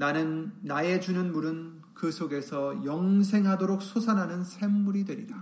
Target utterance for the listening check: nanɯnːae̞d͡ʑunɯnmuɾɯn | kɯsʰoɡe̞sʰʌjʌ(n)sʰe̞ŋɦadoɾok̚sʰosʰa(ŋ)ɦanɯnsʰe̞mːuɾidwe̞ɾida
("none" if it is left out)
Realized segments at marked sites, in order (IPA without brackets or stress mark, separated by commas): ŋ, n